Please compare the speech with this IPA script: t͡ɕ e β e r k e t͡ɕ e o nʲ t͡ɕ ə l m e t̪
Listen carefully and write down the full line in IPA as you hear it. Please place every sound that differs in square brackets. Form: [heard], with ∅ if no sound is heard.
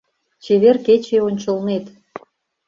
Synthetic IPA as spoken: t͡ɕ e β e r k e t͡ɕ e o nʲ t͡ɕ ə l [n] e t̪

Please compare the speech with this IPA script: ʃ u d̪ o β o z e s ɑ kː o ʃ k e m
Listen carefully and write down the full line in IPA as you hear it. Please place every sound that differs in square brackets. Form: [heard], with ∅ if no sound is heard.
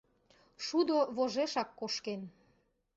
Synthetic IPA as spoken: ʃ u d̪ o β o [ʒ] e [ʃ] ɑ kː o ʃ k e [n]

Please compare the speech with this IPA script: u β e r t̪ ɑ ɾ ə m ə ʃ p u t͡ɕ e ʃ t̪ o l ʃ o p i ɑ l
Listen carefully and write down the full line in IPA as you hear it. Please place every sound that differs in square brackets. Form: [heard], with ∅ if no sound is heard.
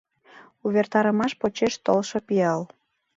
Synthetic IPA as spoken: u β e r t̪ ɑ ɾ ə m [ɑ] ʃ p [o] t͡ɕ e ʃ t̪ o l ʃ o p i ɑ l

